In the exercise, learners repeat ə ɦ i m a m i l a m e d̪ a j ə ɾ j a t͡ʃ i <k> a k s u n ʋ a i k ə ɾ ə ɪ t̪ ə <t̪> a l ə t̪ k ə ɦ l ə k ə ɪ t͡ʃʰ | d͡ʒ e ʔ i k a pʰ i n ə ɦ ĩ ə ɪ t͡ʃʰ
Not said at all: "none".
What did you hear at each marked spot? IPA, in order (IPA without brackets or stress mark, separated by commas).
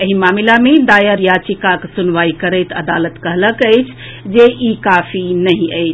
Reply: k, d̪